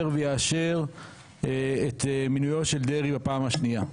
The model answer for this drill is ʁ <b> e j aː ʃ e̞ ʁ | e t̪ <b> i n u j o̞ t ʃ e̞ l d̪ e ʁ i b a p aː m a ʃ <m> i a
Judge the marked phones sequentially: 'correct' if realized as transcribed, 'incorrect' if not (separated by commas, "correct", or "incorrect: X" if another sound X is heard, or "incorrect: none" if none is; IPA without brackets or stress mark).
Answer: incorrect: v, incorrect: m, incorrect: n